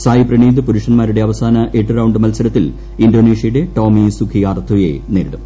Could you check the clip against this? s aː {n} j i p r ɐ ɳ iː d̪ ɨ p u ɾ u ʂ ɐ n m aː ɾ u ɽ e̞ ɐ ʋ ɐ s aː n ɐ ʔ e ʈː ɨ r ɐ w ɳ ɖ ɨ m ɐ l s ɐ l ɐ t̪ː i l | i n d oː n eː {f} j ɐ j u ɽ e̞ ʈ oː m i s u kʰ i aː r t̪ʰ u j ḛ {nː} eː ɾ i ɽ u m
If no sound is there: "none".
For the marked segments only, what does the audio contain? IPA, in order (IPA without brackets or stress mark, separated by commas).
none, ʂ, n